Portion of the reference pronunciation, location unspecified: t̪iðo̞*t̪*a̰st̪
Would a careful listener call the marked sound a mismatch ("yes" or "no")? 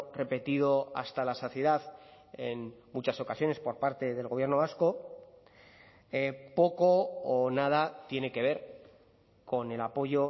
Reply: yes